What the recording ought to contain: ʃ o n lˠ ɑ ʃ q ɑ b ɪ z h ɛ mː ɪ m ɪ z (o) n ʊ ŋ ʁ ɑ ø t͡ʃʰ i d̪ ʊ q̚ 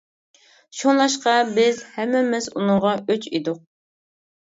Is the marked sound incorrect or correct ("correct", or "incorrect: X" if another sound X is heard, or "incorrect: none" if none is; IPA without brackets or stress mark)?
incorrect: u